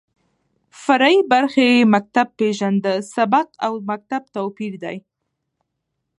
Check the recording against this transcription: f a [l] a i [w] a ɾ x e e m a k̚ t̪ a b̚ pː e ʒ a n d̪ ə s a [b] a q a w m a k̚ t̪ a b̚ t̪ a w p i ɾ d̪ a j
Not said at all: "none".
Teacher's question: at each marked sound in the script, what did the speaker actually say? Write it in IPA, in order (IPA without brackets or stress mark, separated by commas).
ɾ, b, b